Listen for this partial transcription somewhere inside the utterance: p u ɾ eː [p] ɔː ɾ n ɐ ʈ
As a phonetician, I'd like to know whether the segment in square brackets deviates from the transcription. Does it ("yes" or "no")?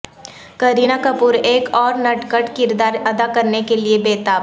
yes